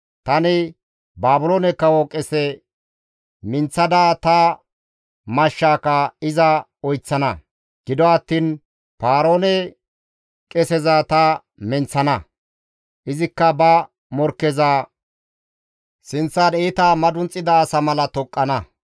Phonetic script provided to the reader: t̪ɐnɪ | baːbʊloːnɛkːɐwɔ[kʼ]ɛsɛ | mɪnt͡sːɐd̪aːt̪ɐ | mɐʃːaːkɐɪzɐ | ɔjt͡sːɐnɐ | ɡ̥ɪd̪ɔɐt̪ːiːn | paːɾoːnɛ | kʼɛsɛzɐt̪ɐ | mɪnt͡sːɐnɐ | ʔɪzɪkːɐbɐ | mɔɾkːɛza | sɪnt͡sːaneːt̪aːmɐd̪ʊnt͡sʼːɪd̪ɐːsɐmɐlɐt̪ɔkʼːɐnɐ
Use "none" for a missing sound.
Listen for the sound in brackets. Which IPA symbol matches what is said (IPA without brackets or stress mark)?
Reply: kʼ